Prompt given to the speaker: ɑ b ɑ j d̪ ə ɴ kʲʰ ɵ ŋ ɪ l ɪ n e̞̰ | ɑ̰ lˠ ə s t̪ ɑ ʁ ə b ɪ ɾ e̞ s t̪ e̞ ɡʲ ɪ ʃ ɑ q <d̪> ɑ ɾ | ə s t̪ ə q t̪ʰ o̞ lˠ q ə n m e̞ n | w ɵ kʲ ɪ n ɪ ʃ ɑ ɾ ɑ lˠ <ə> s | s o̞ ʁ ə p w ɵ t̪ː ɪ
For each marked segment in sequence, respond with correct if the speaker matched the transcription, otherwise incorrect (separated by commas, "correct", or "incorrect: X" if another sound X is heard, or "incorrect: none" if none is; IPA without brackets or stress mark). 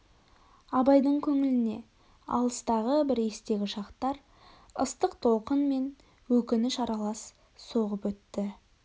incorrect: t̪, incorrect: ɑ